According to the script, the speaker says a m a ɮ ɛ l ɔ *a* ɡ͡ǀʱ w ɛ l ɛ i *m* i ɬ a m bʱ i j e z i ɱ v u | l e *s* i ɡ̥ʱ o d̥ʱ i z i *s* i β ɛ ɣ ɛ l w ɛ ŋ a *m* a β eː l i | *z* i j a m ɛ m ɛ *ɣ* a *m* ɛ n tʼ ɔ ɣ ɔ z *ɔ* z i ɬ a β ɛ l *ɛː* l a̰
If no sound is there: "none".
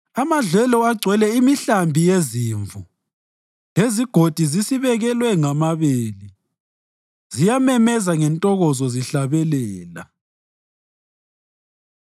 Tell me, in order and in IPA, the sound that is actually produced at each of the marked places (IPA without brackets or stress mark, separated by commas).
a, m, z, s, m, z, z, ŋ, ɔ, ɛː